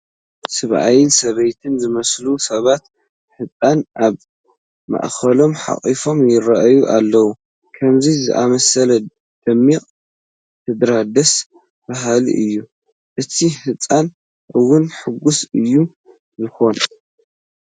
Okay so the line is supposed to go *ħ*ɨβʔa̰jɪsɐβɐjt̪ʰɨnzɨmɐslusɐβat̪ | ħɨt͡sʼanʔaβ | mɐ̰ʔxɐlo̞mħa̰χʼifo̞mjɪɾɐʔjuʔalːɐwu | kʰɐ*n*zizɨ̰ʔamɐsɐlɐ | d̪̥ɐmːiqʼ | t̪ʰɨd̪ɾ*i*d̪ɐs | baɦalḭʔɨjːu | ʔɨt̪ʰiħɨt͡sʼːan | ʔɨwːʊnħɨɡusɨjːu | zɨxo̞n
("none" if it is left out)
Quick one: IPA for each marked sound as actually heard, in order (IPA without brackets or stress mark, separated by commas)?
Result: s, m, a